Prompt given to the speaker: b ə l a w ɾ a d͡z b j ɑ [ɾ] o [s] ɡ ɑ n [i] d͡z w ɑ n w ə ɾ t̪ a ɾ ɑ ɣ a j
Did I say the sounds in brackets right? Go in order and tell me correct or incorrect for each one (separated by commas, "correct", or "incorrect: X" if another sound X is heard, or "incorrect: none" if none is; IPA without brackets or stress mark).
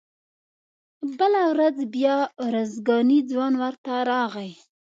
correct, incorrect: z, correct